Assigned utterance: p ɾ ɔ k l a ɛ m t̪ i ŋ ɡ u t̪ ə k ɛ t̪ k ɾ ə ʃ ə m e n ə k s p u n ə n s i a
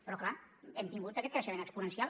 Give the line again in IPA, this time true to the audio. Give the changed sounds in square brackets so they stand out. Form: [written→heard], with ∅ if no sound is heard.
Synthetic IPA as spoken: p ɾ ɔ k l a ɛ m t̪ i ŋ ɡ u t̪ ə k ɛ t̪ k ɾ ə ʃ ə m e n ə k s p u n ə n s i a